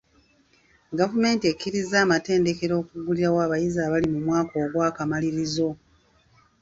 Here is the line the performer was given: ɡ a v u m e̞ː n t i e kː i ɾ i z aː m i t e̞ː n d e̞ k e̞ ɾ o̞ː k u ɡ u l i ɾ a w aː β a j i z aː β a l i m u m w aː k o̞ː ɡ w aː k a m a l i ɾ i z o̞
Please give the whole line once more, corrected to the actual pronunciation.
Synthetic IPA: ɡ a v u m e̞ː n t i e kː i ɾ i z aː m a t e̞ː n d e̞ k e̞ ɾ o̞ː k u ɡ u l i ɾ a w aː β a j i z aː β a l i m u m w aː k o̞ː ɡ w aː k a m a l i ɾ i z o̞